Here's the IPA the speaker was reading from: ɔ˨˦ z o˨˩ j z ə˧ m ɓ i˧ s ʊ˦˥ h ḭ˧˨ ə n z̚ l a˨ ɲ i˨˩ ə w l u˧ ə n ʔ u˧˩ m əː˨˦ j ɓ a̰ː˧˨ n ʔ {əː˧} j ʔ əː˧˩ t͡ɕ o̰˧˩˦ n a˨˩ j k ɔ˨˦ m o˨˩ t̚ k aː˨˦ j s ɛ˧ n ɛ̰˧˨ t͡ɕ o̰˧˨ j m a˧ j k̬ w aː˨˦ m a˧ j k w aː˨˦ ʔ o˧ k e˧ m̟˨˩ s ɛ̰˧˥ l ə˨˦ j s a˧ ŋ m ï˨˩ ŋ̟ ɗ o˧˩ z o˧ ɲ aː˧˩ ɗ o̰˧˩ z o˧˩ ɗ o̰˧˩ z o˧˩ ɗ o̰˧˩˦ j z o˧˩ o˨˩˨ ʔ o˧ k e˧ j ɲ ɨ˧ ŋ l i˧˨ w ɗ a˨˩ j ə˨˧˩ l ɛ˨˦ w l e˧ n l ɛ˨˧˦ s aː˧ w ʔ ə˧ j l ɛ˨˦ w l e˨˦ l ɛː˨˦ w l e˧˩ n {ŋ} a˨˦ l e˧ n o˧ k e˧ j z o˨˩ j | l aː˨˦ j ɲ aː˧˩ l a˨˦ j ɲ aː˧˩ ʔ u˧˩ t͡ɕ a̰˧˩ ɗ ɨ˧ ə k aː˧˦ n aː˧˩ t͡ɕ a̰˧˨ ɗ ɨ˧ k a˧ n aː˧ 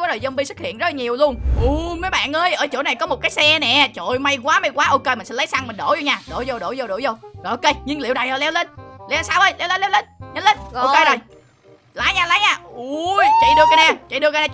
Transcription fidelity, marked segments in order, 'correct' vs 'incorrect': correct, incorrect: ɲ

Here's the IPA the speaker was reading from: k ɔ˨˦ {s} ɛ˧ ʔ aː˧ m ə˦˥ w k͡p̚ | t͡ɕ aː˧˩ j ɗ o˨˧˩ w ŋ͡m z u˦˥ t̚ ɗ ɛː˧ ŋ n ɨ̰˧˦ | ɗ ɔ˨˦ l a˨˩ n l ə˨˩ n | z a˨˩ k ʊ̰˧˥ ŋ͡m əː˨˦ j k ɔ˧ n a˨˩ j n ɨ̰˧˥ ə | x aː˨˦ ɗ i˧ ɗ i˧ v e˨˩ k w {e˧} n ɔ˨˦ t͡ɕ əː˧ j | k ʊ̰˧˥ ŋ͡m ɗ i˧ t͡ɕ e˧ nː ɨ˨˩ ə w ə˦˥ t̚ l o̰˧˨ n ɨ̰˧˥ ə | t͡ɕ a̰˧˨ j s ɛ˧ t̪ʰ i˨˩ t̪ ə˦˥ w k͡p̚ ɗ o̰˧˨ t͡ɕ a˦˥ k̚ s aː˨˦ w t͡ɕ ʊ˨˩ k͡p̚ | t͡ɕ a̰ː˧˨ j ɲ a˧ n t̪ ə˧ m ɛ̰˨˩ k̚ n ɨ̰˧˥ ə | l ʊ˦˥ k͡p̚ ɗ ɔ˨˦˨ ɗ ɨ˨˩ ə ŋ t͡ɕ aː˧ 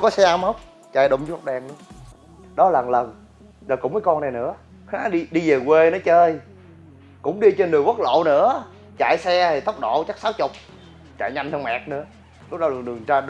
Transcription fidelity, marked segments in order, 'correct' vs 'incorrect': correct, correct

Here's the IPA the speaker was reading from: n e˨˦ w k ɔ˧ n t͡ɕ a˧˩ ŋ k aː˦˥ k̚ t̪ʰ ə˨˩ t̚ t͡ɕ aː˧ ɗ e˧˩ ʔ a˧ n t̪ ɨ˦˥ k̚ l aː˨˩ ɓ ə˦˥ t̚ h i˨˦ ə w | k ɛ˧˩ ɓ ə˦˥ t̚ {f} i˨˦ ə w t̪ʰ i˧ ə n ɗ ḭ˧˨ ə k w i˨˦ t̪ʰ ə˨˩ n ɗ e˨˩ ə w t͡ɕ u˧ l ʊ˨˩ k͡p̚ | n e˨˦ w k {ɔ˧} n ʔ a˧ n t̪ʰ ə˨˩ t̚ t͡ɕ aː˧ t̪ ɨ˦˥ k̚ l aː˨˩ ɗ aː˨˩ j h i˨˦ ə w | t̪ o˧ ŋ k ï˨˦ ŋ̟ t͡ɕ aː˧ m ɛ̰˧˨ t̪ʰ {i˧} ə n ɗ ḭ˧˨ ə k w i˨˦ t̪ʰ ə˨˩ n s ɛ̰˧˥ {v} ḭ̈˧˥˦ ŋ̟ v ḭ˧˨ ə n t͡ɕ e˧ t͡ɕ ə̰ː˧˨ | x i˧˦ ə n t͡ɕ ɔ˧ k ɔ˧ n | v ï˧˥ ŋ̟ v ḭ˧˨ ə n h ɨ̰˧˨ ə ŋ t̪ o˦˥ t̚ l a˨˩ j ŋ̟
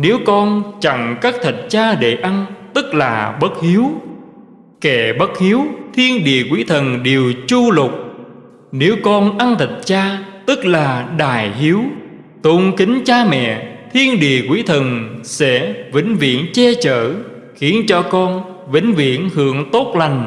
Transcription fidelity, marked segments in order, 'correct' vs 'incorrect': incorrect: h, correct, correct, correct

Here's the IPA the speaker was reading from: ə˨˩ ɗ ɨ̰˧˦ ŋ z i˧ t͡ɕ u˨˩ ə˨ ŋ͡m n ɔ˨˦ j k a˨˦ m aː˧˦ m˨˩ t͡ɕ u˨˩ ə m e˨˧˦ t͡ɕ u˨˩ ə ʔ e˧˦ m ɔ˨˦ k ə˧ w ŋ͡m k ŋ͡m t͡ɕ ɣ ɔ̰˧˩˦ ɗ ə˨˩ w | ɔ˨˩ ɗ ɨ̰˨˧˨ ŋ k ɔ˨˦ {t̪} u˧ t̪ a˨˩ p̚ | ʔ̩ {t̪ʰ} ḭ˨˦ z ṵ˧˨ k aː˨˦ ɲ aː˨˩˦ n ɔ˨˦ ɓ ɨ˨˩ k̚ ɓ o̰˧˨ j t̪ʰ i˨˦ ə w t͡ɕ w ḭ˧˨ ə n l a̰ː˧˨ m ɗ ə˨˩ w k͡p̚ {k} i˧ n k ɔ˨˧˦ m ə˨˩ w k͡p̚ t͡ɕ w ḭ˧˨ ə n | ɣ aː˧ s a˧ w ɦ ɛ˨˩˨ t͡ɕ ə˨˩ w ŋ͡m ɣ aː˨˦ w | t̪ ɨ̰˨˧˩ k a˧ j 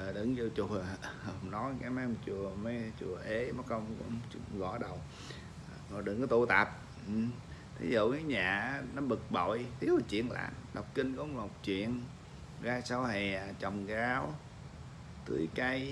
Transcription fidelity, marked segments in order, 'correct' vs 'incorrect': correct, correct, correct

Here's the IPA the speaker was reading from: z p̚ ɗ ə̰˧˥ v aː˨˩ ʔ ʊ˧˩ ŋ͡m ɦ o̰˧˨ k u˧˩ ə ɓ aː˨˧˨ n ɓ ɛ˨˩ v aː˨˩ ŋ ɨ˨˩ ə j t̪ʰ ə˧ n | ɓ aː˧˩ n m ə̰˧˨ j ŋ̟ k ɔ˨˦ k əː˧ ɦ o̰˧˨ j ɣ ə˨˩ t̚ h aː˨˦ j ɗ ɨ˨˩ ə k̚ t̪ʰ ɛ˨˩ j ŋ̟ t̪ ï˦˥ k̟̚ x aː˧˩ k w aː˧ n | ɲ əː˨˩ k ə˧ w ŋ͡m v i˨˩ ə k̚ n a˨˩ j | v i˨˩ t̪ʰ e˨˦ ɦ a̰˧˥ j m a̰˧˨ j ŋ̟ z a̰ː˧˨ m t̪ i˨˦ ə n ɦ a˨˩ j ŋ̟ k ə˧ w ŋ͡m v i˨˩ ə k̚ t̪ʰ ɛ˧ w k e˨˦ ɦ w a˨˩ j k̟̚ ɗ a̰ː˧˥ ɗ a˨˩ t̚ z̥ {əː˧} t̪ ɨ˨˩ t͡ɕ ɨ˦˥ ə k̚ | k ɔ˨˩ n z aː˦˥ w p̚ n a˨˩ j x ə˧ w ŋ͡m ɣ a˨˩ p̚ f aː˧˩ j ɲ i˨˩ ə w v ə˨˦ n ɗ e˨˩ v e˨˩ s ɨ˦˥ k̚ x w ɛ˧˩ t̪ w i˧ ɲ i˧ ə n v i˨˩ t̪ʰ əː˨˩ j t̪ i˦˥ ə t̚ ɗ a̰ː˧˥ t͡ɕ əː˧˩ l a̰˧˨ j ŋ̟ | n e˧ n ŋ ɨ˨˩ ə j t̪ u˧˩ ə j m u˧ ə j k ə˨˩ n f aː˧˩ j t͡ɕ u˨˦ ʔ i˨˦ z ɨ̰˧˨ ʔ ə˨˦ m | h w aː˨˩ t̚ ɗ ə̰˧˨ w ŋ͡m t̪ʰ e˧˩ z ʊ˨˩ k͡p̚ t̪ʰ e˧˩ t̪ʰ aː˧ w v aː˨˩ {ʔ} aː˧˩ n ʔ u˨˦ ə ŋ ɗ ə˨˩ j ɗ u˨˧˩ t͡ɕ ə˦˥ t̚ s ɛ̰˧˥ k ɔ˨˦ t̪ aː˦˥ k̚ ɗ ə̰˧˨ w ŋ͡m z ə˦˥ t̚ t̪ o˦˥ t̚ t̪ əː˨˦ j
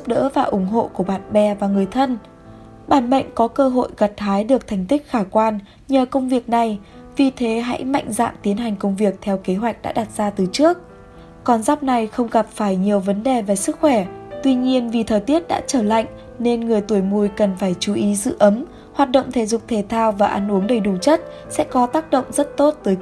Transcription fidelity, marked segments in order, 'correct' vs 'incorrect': incorrect: aː˧, correct

